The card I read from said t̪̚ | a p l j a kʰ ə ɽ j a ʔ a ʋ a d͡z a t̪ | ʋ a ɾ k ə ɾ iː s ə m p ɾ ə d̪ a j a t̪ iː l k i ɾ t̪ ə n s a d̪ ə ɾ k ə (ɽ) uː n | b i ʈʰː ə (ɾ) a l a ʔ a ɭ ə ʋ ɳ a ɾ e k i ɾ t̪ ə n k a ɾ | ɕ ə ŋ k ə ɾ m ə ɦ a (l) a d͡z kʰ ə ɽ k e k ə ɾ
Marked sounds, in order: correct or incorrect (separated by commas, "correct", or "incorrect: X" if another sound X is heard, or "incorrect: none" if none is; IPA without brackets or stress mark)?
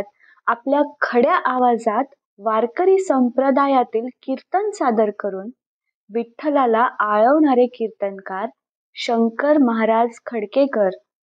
incorrect: ɾ, incorrect: l, incorrect: ɾ